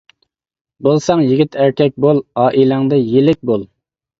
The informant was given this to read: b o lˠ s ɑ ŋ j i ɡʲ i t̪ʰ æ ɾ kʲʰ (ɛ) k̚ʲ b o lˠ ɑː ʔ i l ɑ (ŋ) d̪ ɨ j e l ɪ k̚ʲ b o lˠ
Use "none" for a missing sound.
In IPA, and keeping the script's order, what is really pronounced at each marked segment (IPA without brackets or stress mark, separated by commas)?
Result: ɛ, ŋ